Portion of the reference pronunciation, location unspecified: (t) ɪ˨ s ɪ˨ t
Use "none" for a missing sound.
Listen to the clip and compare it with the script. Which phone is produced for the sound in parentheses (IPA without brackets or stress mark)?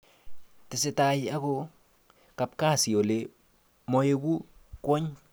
t